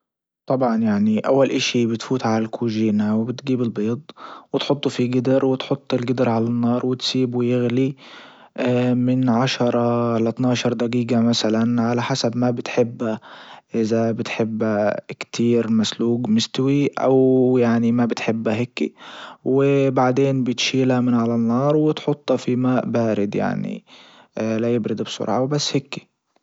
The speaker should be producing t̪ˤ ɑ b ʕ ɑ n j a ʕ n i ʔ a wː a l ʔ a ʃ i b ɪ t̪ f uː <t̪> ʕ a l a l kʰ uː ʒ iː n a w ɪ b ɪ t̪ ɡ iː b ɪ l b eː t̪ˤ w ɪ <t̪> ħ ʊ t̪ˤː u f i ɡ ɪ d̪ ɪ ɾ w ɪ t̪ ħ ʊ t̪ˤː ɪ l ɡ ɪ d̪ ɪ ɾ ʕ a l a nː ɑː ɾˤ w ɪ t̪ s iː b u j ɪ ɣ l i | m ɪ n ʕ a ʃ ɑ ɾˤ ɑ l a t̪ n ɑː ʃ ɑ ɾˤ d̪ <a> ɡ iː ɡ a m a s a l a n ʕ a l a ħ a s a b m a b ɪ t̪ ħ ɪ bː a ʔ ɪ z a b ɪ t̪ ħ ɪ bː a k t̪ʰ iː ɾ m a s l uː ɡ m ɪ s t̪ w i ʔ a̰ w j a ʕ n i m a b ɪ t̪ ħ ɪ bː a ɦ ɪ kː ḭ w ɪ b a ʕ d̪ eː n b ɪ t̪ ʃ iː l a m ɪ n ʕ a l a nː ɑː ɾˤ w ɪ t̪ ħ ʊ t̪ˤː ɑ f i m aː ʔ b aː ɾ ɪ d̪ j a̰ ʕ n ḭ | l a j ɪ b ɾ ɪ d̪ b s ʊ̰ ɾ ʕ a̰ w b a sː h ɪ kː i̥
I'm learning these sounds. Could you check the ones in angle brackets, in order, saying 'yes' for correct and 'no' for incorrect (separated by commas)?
yes, yes, yes